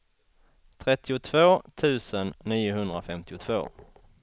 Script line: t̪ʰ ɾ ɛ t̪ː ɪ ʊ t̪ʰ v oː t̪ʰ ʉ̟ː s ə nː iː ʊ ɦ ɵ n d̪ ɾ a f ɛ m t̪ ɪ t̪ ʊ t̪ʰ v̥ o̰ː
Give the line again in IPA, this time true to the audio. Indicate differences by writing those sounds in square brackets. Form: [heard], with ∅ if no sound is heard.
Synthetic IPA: t̪ʰ ɾ ɛ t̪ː ɪ ʊ t̪ʰ v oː t̪ʰ ʉ̟ː s ə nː iː ʊ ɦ ɵ n d̪ ɾ a f ɛ m t̪ ɪ [∅] ʊ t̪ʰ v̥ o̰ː